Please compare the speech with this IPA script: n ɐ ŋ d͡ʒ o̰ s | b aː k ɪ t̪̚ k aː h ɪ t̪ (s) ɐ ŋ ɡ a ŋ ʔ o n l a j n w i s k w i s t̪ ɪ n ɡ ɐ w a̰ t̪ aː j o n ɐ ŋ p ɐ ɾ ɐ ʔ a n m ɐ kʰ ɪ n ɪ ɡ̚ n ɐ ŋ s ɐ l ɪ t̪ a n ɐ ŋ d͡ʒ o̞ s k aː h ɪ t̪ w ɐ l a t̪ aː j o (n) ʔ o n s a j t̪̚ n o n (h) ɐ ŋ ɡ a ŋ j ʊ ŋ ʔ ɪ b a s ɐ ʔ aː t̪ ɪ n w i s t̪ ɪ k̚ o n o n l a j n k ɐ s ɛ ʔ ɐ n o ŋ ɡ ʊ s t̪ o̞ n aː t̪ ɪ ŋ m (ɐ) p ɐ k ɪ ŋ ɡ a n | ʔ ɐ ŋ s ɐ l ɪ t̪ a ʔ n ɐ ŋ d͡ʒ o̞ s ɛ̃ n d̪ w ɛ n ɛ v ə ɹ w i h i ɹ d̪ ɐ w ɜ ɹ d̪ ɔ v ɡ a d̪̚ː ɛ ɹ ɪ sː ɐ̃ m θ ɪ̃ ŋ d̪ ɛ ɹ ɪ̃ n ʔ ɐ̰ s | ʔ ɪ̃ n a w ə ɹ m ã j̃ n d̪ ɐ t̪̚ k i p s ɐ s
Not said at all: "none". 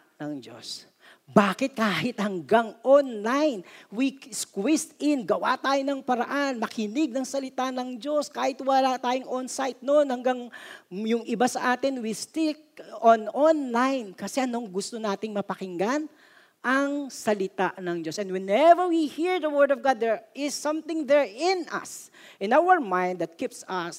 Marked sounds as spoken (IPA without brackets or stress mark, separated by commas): h, ŋ, h, ɐ